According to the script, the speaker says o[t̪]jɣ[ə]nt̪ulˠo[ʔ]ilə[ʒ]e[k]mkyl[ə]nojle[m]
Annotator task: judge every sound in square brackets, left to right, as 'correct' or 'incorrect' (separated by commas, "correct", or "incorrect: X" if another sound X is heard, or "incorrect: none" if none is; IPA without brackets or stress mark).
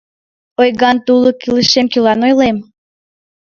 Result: incorrect: none, incorrect: ɑ, incorrect: k, incorrect: ʃ, incorrect: none, incorrect: ɑ, correct